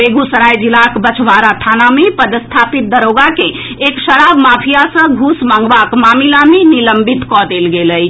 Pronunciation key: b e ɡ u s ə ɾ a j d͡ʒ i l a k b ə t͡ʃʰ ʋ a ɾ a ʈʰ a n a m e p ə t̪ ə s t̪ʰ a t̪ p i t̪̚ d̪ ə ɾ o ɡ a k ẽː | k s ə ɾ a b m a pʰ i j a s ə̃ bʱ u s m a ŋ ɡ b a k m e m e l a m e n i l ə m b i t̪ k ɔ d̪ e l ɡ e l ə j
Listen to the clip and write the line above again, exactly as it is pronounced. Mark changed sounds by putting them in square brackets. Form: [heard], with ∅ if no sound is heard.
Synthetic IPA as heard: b e ɡ u s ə ɾ a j d͡ʒ i l a k b ə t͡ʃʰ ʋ a ɾ a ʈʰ a n a m e p ə [d̪] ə s t̪ʰ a [∅] p i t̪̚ d̪ ə ɾ o ɡ a k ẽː | k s ə ɾ a b m a pʰ i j a s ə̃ [ɡʱ] u s m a ŋ ɡ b a k m [a] m [i] l a m e n i l ə m b i t̪ k ɔ d̪ e l ɡ e l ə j